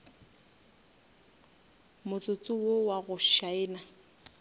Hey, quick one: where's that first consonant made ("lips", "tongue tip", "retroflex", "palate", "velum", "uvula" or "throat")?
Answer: lips